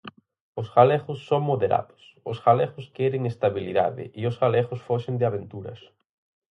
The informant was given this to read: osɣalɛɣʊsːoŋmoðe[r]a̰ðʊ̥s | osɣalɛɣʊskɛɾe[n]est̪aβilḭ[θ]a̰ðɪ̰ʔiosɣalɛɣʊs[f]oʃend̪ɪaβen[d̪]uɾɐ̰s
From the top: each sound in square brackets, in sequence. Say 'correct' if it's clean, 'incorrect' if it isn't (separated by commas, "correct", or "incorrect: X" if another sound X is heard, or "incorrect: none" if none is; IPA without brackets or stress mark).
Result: incorrect: ɾ, incorrect: ŋ, incorrect: ð, correct, incorrect: t̪